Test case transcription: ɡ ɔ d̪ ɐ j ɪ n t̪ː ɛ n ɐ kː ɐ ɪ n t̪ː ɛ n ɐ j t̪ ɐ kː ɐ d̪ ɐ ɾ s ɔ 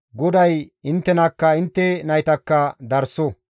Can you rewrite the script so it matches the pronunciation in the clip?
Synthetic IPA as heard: ɡ ɔ d̪ ɐ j ɪ n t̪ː ɛ n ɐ kː ɐ ɪ n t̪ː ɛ n ɐ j t̪ ɐ kː ɐ d̪ ɐ ɾ s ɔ